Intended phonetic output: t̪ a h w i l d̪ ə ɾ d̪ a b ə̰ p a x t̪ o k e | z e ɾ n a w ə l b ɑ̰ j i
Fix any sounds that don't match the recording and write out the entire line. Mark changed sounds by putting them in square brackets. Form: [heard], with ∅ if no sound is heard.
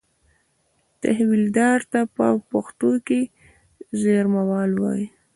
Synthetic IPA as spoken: t̪ a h w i l d̪ [ɑ] ɾ [t̪] a [p] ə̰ p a x t̪ o k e | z e ɾ [m] a w [ɑ] l [w] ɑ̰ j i